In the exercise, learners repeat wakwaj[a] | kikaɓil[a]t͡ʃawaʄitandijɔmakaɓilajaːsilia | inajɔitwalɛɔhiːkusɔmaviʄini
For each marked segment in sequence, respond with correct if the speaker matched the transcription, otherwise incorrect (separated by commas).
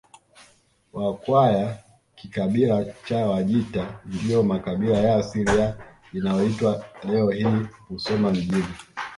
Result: correct, correct